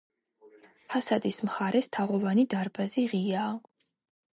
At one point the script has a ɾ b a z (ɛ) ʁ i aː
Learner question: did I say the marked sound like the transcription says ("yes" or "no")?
no